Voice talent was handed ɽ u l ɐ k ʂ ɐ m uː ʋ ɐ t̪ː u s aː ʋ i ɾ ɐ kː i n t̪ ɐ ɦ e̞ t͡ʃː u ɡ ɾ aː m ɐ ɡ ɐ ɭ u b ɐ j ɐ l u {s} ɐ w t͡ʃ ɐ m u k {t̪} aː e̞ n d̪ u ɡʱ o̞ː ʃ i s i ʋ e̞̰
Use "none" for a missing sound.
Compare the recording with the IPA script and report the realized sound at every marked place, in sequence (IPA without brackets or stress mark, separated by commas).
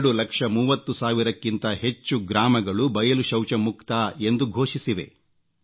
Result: ʃ, t̪